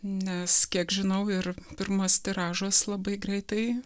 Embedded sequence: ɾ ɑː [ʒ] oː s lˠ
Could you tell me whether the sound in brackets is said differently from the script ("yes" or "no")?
no